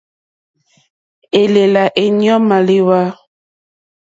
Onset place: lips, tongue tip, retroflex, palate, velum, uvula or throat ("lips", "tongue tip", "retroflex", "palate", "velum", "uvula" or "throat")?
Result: tongue tip